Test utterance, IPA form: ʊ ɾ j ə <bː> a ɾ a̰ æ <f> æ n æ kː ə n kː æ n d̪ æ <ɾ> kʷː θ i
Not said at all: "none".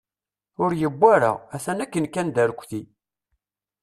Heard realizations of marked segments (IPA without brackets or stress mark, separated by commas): bː, θ, ɾ